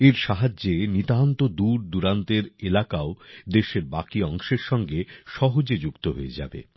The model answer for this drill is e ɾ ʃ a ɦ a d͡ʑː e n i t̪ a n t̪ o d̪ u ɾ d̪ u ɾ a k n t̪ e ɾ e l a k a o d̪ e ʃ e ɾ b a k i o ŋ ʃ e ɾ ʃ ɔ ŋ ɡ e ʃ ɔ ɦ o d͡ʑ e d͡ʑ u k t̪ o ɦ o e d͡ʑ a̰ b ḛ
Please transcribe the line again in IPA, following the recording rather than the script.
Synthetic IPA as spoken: e ɾ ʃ a ɦ a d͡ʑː e n i t̪ a n t̪ o d̪ u ɾ d̪ u ɾ a n t̪ e ɾ e l a k a o d̪ e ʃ e ɾ b a k i ɔ ŋ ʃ e ɾ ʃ ɔ ŋ ɡ e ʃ ɔ ɦ o d͡ʑ e d͡ʑ u k t̪ o ɦ o e d͡ʑ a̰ b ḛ